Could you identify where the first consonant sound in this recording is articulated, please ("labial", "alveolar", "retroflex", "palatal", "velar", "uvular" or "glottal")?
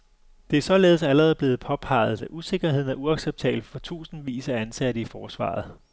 alveolar